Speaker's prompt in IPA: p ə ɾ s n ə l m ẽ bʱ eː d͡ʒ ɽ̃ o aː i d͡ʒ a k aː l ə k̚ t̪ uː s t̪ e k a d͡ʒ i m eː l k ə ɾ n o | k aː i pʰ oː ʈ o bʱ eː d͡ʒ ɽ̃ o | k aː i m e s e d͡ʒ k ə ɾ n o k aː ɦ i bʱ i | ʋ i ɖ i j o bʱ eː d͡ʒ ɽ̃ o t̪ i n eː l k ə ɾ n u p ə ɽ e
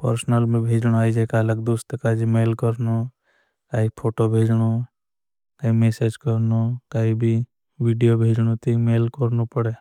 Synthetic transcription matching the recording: p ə ɾ s n ə l m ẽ bʱ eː d͡ʒ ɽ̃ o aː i d͡ʒ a k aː l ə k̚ d̪ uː s t̪ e k a d͡ʒ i m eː l k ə ɾ n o | k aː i pʰ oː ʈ o bʱ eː d͡ʒ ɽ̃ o | k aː i m e s e d͡ʒ k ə ɾ n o k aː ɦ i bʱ i | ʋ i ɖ i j o bʱ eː d͡ʒ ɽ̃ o t̪ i m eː l k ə ɾ n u p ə ɽ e

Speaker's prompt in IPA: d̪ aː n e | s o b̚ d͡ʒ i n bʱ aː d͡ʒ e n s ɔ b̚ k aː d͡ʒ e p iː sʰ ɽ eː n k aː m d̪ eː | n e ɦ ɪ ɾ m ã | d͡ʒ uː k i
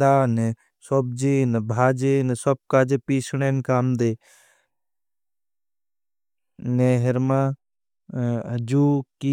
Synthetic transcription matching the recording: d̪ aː n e | s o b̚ d͡ʒ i n bʱ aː d͡ʒ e n s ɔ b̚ k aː d͡ʒ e p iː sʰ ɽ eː n k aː m d̪ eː | n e ɦ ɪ ɾ m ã | d͡ʒ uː k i

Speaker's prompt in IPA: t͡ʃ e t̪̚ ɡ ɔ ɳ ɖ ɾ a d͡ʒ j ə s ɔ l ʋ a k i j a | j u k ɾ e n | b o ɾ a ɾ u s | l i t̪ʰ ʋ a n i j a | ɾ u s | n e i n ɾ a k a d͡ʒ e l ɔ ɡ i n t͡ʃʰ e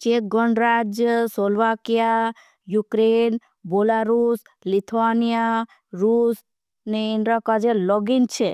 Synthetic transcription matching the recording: t͡ʃ e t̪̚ ɡ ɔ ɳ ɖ ɾ a d͡ʒ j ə s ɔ l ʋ a k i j a | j u k ɾ e n | b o l a ɾ u s | l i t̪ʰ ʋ a n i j a | ɾ u s | n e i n ɾ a k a d͡ʒ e l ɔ ɡ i n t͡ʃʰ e

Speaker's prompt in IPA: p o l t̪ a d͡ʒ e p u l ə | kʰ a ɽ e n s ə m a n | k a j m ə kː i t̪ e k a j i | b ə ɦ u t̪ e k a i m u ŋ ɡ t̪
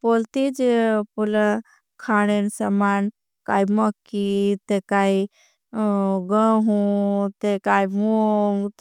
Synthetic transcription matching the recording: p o l t̪ i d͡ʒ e p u l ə | kʰ a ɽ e n s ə m a n | k a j m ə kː i t̪ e k a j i | ɡ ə ɦ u t̪ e k a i m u ŋ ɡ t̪

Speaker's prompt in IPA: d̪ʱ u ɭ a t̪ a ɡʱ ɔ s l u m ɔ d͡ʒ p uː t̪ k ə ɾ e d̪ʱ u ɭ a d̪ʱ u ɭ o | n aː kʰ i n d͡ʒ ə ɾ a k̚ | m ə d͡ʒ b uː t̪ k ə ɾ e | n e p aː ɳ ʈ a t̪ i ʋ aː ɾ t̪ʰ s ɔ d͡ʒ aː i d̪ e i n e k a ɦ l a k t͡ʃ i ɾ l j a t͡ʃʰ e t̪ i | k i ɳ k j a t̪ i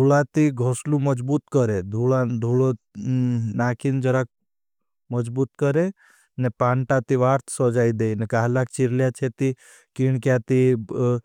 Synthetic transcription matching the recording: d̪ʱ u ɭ a t̪ i ɡʱ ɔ s l u m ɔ d͡ʒ b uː t̪ k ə ɾ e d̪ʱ u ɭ a d̪ʱ u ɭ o | n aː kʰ i n d͡ʒ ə ɾ a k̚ | m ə d͡ʒ b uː t̪ k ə ɾ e | n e p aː ɳ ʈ a t̪ i ʋ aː ɾ t̪ʰ s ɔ d͡ʒ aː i d̪ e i n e k a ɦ l a k t͡ʃ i ɾ l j a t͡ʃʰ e t̪ i | k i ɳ k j a t̪ i

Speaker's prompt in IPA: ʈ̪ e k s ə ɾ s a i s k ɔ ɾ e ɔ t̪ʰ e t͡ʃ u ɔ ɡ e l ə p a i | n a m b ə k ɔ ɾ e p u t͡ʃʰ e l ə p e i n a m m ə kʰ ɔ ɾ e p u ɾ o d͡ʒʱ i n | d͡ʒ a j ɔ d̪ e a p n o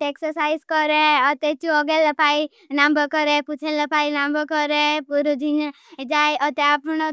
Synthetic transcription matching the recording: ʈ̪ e k s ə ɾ s a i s k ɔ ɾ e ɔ t̪ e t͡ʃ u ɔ ɡ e l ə p a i | n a m b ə k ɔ ɾ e p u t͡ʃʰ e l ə p a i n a m b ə k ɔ ɾ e p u ɾ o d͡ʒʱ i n | d͡ʒ a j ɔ t̪ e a p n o

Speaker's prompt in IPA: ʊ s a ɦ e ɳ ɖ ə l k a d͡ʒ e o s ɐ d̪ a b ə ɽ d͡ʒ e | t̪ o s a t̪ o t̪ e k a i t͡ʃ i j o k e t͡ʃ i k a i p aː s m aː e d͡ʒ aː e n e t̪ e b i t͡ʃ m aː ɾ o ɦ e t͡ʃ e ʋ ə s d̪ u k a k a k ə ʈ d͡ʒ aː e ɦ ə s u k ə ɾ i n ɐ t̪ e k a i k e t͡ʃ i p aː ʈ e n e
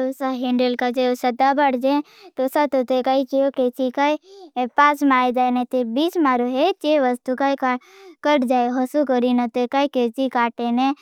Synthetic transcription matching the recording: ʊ s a ɦ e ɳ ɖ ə l k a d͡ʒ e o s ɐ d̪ a b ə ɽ d͡ʒ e | t̪ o s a t̪ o t̪ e k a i t͡ʃ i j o k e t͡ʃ i k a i p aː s m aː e d͡ʒ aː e n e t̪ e b i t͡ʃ m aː ɾ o ɦ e t͡ʃ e ʋ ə s t̪ u k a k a k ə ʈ d͡ʒ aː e ɦ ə s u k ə ɾ i n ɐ t̪ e k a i k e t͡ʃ i k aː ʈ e n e

